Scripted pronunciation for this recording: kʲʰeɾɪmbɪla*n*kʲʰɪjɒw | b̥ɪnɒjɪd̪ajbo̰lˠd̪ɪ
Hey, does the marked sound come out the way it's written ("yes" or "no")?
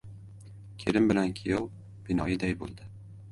yes